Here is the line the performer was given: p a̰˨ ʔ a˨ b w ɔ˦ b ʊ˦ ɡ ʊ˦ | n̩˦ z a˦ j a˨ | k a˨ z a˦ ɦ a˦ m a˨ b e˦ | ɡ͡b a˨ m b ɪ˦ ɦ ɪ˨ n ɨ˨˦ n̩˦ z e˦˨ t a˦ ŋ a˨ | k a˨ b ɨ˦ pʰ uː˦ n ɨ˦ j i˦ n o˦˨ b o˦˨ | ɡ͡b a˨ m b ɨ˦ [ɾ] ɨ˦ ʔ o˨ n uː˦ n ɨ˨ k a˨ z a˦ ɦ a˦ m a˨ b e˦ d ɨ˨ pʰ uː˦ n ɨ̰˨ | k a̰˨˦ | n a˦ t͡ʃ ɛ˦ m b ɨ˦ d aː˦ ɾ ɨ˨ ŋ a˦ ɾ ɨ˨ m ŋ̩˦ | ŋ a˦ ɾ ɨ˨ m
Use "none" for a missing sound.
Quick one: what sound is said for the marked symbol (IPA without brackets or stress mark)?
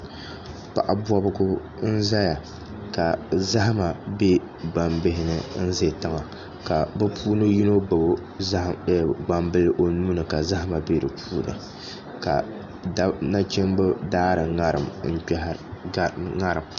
l